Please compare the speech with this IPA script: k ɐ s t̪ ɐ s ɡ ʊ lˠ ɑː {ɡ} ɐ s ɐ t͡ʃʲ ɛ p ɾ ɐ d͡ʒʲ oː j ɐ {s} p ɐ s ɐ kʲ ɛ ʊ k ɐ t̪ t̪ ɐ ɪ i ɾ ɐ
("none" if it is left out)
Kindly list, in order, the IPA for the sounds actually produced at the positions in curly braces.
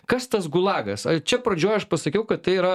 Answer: ɡ, ʃ

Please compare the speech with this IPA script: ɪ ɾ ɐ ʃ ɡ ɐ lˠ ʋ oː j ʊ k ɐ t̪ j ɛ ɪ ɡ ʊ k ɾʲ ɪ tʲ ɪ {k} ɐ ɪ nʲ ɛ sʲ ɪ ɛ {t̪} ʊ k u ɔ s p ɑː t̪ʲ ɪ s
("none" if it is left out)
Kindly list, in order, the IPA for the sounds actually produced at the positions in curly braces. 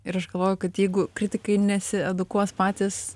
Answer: k, d̪

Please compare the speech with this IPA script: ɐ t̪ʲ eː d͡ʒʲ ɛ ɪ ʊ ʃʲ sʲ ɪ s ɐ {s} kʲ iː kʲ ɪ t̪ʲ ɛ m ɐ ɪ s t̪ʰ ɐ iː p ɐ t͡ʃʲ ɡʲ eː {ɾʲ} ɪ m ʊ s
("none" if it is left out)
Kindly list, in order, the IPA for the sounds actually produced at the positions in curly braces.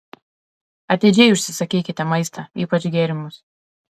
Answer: none, ɾʲ

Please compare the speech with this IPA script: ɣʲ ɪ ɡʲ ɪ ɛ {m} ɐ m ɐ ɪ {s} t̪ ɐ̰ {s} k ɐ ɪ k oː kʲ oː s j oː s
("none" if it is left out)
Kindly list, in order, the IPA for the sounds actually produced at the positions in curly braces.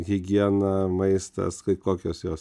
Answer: n, s, s

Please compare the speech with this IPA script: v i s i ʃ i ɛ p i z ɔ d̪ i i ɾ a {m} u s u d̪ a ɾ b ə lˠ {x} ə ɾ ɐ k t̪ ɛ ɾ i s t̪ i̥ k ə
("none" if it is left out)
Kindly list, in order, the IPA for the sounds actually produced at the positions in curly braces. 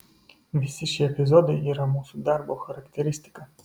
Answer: m, x

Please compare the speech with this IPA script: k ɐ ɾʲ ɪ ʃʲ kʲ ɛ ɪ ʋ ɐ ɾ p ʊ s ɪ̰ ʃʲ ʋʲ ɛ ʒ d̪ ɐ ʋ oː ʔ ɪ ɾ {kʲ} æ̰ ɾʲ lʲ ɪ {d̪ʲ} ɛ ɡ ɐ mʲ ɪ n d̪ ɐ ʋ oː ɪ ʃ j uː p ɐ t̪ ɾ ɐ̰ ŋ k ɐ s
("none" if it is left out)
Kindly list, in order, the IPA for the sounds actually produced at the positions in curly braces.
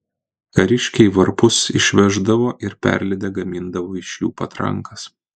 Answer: pʲ, d̪ʲ

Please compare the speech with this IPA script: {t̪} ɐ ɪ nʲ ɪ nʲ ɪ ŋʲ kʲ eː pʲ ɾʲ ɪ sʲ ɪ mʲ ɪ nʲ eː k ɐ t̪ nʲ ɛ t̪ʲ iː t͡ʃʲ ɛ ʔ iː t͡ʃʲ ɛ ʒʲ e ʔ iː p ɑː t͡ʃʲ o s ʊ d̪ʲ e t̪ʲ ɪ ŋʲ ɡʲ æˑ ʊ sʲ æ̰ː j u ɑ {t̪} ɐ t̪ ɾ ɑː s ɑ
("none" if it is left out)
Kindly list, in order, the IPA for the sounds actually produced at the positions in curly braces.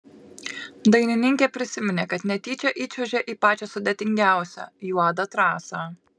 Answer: d̪, d̪

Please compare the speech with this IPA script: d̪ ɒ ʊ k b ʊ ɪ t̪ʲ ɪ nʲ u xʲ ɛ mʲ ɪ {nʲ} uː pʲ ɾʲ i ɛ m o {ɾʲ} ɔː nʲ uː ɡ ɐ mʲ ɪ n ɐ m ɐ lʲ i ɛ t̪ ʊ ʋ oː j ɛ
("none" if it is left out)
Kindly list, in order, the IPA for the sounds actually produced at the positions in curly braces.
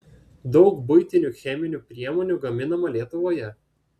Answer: nʲ, none

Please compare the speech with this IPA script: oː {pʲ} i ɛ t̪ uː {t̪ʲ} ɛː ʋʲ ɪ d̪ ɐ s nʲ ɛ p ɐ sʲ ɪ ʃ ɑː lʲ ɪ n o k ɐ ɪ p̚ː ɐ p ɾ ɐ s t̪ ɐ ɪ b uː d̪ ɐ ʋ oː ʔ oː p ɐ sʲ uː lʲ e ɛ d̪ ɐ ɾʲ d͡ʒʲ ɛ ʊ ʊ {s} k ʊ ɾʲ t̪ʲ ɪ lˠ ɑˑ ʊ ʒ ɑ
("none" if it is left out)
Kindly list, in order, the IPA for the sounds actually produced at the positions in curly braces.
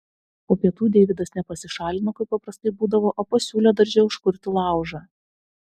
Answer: pʲ, d̪ʲ, ʃ

